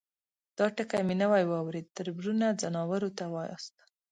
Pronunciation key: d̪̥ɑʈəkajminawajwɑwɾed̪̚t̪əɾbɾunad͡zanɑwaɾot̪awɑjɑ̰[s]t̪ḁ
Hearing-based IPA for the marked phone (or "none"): s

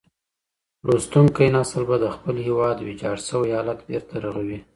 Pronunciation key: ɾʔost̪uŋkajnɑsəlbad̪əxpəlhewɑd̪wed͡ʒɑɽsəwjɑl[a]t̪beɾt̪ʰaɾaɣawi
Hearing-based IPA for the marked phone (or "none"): a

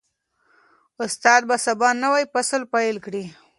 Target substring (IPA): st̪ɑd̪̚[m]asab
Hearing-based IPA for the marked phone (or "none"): b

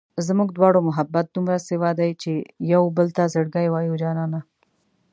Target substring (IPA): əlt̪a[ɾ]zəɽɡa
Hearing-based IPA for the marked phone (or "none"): none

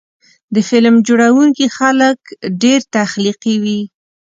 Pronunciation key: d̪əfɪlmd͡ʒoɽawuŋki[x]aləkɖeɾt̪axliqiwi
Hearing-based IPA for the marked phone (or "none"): x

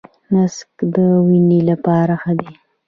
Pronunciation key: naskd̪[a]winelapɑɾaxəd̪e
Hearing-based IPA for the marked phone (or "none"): ə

